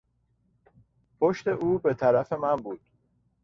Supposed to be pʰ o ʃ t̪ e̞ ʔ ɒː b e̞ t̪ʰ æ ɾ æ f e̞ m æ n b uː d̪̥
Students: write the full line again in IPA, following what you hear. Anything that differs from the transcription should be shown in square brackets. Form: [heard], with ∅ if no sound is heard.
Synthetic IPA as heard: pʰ o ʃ t̪ e̞ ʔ [uː] b e̞ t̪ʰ æ ɾ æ f e̞ m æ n b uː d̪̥